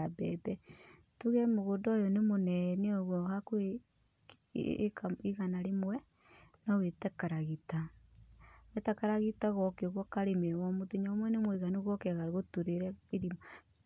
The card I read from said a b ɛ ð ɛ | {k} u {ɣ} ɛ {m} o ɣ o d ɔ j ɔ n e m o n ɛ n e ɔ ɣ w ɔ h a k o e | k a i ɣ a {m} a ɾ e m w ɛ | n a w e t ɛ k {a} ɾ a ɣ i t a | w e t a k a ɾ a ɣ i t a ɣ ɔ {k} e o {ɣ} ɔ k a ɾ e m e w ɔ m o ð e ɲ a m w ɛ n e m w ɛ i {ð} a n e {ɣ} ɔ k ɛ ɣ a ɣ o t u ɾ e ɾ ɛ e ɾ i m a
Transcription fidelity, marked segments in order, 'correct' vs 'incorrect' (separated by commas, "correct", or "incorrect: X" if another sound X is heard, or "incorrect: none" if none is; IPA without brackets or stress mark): incorrect: t, correct, correct, incorrect: n, correct, correct, correct, incorrect: ɣ, correct